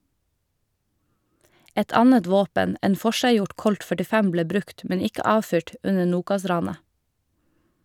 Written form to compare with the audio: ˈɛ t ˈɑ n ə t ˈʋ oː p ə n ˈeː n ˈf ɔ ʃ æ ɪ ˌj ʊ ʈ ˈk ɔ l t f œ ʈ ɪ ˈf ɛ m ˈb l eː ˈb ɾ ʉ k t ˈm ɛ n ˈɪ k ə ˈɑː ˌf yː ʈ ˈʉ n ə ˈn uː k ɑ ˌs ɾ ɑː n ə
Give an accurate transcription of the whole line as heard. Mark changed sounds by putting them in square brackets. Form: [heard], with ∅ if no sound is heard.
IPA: ˈɛ t ˈɑ n ə t ˈʋ oː p ə n ˈeː n ˈf ɔ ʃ æ ɪ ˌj ʊ ʈ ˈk ɔ l t f œ ʈ ɪ ˈf ɛ m ˈb l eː ˈb ɾ ʉ k t ˈm ɛ n ˈɪ k ə ˈɑː ˌf yː ʈ ˈʉ n ə ˈn uː k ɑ ˌs ɾ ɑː n ə